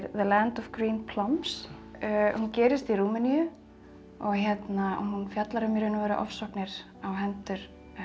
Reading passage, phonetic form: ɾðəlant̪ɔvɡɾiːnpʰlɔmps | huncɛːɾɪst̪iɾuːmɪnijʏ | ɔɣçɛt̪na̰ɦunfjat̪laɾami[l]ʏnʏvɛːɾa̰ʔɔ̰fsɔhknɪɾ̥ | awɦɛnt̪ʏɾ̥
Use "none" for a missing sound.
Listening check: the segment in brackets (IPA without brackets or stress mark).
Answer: ɾ